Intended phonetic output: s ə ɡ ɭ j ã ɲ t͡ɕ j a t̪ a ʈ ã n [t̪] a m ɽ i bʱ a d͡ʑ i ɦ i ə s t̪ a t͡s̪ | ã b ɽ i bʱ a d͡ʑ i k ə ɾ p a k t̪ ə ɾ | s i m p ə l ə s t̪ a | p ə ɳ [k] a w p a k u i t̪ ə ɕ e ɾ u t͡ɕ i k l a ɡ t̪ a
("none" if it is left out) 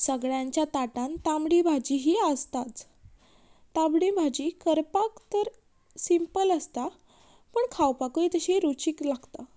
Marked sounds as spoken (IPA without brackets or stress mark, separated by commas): t̪, kʰ